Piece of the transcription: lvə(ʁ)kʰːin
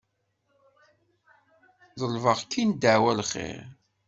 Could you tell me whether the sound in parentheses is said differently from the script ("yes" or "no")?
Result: no